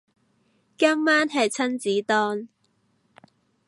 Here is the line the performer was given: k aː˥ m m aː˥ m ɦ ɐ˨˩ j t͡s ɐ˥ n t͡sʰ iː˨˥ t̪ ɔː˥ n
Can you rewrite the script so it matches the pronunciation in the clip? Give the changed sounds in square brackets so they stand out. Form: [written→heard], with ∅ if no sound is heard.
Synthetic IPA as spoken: k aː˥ m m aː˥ [m→n] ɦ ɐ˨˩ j [t͡s→t͡sʰ] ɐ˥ n [t͡sʰ→t͡s] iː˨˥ t̪ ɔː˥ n